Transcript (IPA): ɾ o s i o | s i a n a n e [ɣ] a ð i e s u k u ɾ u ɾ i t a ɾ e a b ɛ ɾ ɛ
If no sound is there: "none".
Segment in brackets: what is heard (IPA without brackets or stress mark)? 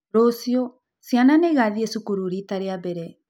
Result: ɣ